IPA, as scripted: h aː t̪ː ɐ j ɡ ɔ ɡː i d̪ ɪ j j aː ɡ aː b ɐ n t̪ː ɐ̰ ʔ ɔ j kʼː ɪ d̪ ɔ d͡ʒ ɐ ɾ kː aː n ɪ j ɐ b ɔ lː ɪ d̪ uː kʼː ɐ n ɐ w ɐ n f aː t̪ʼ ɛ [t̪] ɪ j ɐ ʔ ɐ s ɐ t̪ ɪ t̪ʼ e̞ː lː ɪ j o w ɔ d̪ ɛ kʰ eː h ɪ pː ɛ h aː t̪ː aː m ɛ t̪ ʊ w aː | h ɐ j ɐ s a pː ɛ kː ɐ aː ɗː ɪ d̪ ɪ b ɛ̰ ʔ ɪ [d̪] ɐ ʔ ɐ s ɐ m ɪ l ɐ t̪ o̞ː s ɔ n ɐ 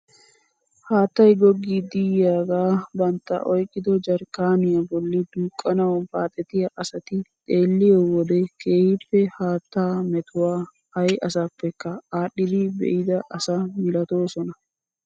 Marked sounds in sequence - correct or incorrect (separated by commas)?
correct, correct